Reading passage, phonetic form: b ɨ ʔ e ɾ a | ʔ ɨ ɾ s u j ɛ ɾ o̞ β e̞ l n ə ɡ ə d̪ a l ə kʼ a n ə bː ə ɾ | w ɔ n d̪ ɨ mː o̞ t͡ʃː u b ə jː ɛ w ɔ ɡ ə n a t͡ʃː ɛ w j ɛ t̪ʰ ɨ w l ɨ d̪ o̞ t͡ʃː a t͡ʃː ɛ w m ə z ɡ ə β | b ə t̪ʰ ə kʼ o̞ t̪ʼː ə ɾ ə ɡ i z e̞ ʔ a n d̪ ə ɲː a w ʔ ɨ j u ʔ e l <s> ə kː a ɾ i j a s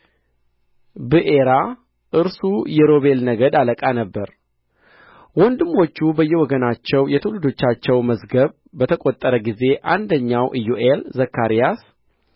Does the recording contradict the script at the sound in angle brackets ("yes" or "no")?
yes